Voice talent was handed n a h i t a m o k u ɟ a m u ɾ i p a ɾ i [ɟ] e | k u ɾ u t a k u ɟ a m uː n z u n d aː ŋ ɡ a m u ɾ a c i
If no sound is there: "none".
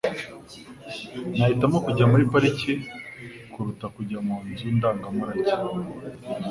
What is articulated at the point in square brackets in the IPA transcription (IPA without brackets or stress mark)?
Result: c